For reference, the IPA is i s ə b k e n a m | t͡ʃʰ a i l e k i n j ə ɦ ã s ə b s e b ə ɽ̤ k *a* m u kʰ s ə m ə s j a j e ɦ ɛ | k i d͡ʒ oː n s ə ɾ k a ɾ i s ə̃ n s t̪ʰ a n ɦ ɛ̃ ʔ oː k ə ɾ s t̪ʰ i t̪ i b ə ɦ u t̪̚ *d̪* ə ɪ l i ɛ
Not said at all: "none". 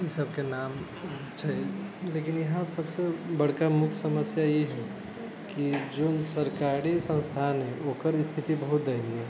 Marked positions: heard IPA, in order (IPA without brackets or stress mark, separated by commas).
a, d̪